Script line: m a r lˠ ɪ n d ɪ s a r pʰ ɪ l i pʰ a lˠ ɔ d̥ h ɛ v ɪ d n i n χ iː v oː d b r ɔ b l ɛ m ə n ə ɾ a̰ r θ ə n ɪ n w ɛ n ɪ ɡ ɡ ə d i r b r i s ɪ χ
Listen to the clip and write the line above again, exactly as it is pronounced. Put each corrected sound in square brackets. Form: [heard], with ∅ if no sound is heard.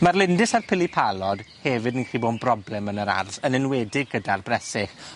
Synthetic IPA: m a r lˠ ɪ n d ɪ s a r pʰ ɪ l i pʰ a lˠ ɔ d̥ h ɛ v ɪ d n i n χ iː [b] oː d b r ɔ b l ɛ m ə n ə ɾ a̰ r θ ə n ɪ n w ɛ [d] ɪ ɡ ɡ ə d [a] r b r [ɛ] s ɪ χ